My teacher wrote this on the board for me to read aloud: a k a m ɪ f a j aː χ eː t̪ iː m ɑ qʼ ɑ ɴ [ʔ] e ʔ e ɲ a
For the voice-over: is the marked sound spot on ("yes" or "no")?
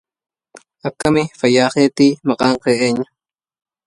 no